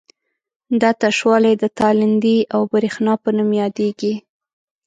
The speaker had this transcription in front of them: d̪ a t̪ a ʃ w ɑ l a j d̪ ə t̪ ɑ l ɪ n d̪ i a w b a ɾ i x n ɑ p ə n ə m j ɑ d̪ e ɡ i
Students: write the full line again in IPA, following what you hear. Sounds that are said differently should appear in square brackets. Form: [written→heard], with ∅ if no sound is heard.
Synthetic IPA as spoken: d̪ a t̪ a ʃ w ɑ l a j d̪ ə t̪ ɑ l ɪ n d̪ i a w b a ɾ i x n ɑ p ə n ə m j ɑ d̪ e ɡ i